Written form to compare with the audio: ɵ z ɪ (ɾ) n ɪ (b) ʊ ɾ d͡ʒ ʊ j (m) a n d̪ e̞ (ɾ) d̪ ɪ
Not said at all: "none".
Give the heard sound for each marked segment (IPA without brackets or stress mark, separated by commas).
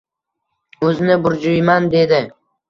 none, b, m, none